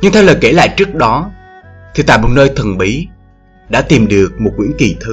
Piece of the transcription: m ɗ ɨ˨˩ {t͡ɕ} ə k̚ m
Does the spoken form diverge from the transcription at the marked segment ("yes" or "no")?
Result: yes